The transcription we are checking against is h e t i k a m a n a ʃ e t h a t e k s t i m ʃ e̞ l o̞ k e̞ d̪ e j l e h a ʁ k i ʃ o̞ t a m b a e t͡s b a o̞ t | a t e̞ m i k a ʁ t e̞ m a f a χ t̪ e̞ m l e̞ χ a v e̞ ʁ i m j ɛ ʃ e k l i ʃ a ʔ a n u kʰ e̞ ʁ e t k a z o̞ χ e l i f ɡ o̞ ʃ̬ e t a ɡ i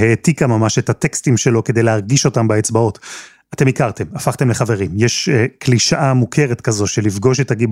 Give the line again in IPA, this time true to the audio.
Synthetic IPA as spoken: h e t i k a m a m a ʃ e t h a t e k s t i m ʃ e̞ l o̞ k e̞ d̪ e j l e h a ʁ ɡ i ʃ o̞ t a m b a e t͡s b a o̞ t | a t e̞ m i k a ʁ t e̞ m a f a χ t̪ e̞ m l e̞ χ a v e̞ ʁ i m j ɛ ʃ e k l i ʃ a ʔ a m u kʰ e̞ ʁ e t k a z o̞ ʃ e l i f ɡ o̞ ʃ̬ e t a ɡ i